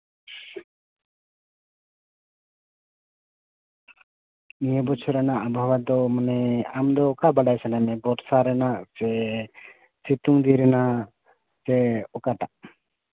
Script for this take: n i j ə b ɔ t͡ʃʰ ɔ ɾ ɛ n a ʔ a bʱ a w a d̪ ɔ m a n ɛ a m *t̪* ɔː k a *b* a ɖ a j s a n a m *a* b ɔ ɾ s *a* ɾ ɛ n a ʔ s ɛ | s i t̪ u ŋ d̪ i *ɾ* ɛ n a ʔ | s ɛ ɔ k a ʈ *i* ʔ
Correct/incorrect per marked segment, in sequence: incorrect: d̪, correct, incorrect: ɛ, correct, correct, incorrect: a

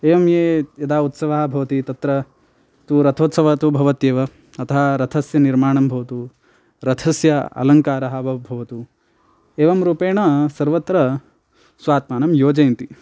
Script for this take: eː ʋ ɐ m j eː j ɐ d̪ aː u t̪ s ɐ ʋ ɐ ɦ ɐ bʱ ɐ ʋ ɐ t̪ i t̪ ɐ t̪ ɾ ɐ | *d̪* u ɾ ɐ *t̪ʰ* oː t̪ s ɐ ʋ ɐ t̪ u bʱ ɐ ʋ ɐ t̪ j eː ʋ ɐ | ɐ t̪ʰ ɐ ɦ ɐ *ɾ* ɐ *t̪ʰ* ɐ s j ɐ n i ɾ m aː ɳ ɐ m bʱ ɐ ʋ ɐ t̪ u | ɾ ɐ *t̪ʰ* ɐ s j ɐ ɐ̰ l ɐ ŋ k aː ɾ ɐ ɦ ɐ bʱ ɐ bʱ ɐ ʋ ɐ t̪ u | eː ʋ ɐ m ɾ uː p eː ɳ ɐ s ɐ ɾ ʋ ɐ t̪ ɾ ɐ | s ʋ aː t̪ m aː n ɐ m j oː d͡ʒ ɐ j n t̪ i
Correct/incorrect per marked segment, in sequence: incorrect: t̪, correct, correct, correct, correct

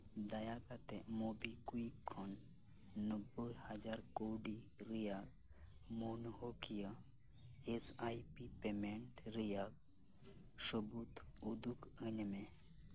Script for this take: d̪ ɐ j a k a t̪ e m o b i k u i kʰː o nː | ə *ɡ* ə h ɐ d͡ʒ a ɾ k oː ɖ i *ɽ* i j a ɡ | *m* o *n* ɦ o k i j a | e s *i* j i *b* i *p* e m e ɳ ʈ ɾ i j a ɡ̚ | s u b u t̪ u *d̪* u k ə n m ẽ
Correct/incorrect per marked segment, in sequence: incorrect: b, incorrect: ɾ, correct, correct, incorrect: a, incorrect: p, correct, correct

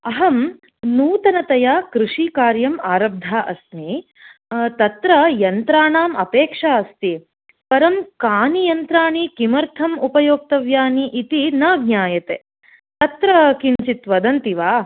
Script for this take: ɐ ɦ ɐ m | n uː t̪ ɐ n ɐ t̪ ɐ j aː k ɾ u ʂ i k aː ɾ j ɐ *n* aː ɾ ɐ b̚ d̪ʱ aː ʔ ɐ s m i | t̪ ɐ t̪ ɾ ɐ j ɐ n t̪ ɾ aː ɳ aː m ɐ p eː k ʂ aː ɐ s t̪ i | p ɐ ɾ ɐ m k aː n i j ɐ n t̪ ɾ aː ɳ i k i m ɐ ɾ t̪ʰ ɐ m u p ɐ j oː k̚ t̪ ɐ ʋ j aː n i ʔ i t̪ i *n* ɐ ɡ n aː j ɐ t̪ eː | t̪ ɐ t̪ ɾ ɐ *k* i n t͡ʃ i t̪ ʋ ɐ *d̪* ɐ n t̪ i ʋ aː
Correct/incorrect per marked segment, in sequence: incorrect: m, correct, correct, correct

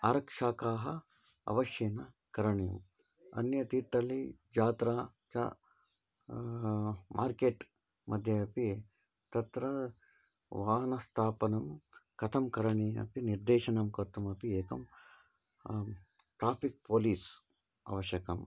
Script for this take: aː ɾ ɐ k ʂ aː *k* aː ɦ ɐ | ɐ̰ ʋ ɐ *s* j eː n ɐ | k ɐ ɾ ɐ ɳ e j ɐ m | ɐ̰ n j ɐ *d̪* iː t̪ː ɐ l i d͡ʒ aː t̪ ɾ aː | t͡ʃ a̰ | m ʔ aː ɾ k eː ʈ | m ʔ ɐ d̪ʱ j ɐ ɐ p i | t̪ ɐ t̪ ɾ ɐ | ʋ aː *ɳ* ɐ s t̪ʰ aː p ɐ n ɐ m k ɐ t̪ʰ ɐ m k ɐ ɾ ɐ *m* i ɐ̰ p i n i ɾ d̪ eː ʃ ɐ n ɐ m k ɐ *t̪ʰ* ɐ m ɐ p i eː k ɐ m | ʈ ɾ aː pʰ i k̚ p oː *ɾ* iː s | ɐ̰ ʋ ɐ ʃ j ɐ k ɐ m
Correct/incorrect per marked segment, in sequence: correct, incorrect: ʃ, incorrect: t̪, incorrect: n, incorrect: ɳ, incorrect: t̪, incorrect: l

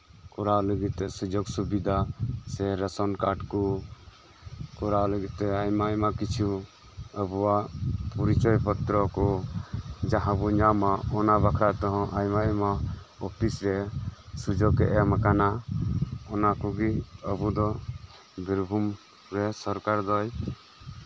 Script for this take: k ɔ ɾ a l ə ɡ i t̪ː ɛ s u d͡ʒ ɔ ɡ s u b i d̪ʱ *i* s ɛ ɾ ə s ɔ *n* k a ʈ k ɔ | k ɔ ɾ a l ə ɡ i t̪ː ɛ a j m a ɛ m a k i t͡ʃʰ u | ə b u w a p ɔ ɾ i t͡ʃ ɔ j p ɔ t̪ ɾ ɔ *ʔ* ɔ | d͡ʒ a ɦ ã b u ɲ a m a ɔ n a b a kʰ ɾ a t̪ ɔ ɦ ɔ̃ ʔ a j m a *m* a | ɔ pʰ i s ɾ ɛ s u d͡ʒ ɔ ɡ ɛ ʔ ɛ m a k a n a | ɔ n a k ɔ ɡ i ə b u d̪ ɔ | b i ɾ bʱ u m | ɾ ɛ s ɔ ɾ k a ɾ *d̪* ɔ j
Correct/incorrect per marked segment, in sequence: incorrect: a, correct, incorrect: k, correct, correct

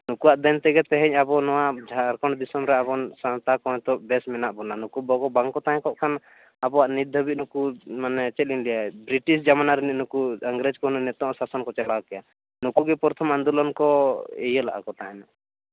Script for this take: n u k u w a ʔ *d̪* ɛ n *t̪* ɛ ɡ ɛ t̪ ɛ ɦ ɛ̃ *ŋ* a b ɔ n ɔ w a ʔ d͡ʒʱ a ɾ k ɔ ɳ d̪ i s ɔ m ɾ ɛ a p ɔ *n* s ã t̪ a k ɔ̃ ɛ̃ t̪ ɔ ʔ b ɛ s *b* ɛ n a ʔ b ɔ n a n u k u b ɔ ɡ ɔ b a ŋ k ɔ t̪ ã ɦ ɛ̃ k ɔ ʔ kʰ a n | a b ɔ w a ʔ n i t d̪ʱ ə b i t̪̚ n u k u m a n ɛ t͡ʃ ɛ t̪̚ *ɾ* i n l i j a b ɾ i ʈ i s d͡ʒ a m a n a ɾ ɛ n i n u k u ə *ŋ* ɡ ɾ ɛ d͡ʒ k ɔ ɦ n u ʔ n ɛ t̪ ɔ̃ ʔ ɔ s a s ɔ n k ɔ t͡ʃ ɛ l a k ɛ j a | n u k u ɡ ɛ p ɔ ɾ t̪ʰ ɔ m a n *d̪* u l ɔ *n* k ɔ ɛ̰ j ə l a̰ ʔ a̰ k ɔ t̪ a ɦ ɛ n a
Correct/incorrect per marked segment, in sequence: correct, correct, incorrect: ɲ, correct, incorrect: m, incorrect: l, correct, correct, correct

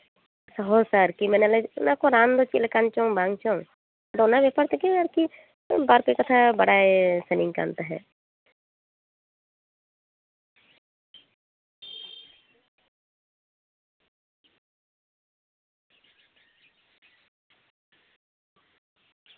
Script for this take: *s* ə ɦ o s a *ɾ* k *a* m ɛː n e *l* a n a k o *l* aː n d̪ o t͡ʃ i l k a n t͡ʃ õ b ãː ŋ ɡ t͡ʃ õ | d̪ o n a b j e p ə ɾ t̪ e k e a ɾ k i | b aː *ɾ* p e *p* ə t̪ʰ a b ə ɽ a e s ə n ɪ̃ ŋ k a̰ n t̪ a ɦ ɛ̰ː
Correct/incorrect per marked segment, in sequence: correct, correct, incorrect: i, correct, incorrect: ɾ, correct, incorrect: k

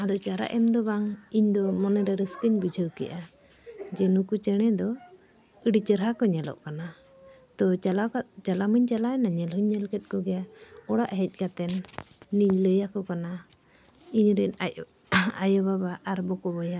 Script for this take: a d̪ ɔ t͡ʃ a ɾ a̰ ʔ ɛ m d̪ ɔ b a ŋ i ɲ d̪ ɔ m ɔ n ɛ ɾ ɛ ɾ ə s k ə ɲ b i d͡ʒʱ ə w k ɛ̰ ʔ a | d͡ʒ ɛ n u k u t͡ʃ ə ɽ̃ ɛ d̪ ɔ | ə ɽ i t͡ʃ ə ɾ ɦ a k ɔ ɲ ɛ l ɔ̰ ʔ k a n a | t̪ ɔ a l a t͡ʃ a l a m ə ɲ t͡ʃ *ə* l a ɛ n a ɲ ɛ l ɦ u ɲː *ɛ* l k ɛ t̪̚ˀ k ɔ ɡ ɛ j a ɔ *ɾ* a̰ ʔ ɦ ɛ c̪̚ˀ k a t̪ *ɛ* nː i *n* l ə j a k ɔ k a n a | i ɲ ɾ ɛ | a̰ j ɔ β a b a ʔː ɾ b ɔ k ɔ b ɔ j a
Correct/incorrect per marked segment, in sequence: incorrect: a, correct, incorrect: ɽ, correct, incorrect: ɲ

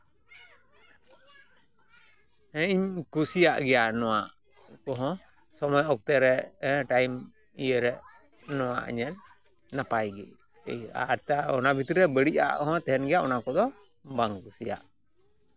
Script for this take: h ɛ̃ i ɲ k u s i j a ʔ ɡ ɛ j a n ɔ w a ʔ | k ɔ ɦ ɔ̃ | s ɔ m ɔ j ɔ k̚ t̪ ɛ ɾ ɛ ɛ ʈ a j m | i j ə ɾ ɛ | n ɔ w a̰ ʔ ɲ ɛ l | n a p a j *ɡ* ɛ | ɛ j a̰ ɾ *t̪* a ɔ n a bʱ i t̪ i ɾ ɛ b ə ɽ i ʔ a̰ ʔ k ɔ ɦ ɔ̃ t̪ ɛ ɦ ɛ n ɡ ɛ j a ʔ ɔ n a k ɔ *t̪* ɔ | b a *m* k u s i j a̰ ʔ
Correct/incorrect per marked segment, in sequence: correct, correct, incorrect: d̪, incorrect: ŋ

